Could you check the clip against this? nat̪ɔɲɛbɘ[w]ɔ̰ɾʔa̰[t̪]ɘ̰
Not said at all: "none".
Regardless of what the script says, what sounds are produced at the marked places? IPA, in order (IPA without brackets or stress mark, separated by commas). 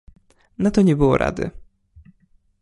w, d̪